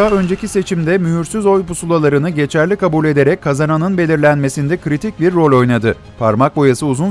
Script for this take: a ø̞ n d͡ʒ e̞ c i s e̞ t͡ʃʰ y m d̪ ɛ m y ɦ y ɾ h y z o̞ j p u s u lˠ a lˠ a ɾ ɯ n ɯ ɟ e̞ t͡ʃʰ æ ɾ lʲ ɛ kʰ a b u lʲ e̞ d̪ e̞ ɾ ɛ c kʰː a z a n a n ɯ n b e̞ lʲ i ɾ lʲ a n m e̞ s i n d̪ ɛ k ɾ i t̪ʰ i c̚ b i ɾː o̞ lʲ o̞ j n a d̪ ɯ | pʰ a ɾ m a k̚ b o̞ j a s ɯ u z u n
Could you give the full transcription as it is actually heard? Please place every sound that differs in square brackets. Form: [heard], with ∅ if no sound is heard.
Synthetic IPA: a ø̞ n d͡ʒ e̞ c i s e̞ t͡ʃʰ [i] m d̪ ɛ m y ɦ y ɾ [s] y z o̞ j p u s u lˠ a lˠ a ɾ ɯ n ɯ ɟ e̞ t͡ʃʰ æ ɾ lʲ [i] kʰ a b u lʲ e̞ d̪ e̞ ɾ ɛ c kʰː a z a n a n ɯ n b e̞ lʲ i ɾ lʲ [æ] n m e̞ s i n d̪ ɛ k ɾ i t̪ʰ i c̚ b i ɾː o̞ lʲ o̞ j n a d̪ ɯ | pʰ a ɾ m a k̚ b o̞ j a s ɯ u z u n